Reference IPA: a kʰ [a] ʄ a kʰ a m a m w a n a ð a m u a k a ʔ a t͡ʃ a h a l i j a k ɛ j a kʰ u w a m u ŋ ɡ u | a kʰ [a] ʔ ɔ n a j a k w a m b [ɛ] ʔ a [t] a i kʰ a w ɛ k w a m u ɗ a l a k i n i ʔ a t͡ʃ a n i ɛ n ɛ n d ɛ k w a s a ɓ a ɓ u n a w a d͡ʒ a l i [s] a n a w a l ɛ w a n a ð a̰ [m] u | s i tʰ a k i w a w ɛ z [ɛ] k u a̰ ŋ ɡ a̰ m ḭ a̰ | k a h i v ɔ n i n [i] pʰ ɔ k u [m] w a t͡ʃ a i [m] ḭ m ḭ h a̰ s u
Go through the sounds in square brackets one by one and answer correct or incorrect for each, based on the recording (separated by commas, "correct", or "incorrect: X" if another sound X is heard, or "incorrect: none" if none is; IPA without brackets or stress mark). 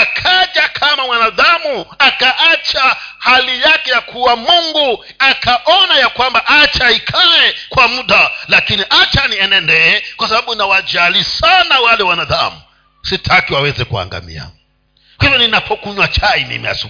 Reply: correct, correct, incorrect: a, incorrect: t͡ʃ, correct, correct, correct, incorrect: a, incorrect: ɲ, correct